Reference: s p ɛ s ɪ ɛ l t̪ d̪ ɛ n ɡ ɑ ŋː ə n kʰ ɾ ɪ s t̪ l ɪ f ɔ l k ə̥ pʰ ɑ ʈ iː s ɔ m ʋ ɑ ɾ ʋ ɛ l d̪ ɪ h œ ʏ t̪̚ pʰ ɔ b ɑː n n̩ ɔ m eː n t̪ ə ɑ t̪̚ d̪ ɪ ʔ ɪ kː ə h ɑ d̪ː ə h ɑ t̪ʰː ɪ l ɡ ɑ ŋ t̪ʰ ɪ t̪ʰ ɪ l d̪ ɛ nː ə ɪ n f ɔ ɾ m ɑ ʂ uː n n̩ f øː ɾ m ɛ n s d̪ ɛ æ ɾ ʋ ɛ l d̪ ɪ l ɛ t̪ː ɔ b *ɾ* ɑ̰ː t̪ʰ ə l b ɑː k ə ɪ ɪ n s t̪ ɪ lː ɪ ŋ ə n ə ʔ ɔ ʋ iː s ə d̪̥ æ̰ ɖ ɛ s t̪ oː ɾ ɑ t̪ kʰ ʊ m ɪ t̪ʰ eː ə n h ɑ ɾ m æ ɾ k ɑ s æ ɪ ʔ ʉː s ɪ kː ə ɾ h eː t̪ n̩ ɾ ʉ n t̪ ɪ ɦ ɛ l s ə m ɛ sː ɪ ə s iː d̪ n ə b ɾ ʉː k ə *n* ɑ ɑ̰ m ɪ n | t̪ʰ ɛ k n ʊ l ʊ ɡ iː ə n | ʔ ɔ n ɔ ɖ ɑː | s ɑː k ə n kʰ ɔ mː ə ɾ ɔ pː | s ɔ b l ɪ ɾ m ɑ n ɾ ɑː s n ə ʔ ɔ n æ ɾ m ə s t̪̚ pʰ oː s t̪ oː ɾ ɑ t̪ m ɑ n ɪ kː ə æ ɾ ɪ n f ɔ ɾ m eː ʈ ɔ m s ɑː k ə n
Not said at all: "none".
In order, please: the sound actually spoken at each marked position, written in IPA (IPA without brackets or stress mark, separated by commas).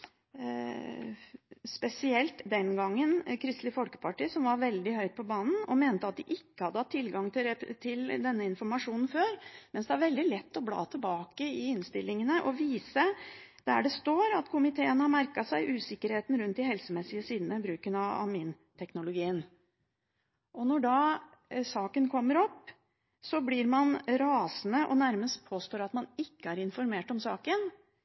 l, n